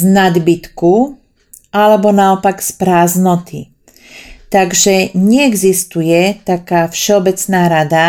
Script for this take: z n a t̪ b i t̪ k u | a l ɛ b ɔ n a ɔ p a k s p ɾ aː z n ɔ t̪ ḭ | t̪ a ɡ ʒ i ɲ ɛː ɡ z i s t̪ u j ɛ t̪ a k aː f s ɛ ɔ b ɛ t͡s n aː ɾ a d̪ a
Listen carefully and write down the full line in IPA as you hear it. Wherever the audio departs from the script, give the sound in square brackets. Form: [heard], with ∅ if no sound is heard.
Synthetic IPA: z n a [d̪] b i t̪ k u | a l ɛ b ɔ n a ɔ p a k s p ɾ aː z n ɔ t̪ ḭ | t̪ a ɡ ʒ [ɛ] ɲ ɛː ɡ z i s t̪ u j ɛ t̪ a k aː f [ʃ] ɛ ɔ b ɛ t͡s n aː ɾ a d̪ a